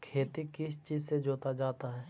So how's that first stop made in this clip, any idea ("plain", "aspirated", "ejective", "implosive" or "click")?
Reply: aspirated